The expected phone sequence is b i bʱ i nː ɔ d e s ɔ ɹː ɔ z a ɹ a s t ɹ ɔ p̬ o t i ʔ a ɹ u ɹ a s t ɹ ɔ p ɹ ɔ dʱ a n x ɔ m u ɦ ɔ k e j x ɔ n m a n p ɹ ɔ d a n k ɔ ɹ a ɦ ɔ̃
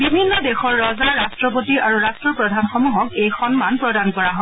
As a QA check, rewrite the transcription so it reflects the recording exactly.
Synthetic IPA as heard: b i bʱ i nː ɔ d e x ɔ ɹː ɔ z a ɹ a s t ɹ ɔ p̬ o t i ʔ a ɹ u ɹ a s t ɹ ɔ p ɹ ɔ dʱ a n x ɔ m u ɦ ɔ k e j x ɔ n m a n p ɹ ɔ d a n k ɔ ɹ a ɦ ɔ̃